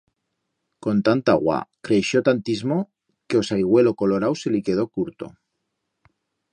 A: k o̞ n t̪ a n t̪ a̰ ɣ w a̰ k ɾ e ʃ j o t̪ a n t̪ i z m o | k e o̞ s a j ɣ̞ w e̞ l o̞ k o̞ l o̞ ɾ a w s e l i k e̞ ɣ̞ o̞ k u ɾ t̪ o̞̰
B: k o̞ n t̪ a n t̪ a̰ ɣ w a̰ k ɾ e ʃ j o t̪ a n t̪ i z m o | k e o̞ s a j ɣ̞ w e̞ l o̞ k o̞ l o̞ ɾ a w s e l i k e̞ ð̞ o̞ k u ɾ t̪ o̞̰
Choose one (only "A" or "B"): B